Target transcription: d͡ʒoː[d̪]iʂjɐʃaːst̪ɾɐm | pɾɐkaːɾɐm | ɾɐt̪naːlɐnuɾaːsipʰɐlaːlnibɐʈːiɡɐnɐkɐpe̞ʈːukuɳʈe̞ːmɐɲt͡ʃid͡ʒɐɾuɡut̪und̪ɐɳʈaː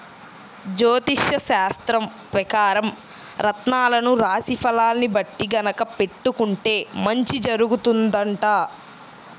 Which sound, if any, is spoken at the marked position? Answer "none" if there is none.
t̪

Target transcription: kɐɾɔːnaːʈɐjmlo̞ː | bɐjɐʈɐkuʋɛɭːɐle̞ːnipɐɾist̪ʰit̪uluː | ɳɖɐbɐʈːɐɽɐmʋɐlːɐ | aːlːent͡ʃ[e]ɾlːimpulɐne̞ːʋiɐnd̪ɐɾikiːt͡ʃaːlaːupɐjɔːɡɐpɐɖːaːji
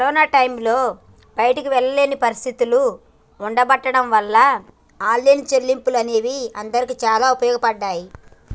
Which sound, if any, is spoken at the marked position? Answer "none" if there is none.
e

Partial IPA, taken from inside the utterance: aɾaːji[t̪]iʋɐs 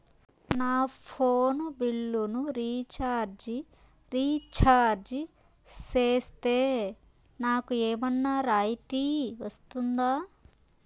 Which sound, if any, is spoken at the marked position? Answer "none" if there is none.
t̪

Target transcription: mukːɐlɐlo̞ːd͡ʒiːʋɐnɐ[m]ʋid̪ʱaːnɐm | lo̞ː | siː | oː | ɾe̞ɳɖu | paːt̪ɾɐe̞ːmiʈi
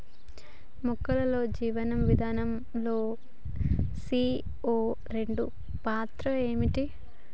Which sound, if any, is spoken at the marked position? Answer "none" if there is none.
m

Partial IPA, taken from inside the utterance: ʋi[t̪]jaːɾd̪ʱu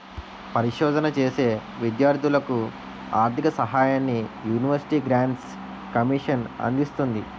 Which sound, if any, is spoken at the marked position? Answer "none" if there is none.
d̪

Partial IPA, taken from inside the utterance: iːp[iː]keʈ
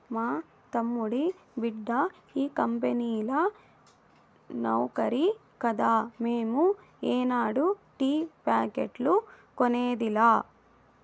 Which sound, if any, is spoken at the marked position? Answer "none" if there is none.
aː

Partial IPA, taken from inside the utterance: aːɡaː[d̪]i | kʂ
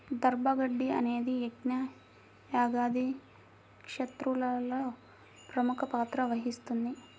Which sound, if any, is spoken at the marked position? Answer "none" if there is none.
d̪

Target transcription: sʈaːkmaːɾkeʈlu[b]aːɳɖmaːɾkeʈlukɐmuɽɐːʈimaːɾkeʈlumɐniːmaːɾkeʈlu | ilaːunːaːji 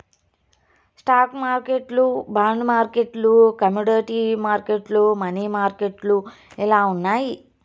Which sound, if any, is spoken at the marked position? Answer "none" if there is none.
b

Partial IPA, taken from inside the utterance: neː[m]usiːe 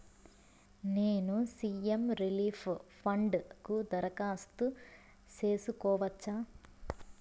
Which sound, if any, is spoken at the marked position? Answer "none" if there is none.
n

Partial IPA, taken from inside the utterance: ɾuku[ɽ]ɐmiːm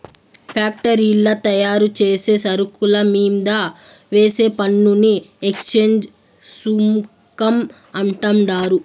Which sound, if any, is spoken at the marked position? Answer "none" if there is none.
l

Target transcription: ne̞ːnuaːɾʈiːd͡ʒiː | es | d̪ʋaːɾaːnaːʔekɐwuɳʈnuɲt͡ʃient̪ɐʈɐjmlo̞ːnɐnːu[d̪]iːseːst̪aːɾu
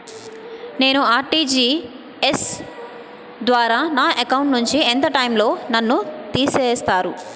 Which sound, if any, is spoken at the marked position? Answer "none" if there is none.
t̪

